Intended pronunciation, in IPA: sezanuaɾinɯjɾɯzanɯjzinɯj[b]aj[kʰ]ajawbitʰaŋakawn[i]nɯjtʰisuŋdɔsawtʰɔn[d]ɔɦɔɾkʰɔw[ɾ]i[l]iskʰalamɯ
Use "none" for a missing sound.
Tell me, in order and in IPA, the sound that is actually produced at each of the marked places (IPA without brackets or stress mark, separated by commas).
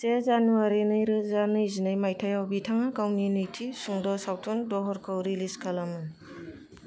m, tʰ, i, d, ɾ, l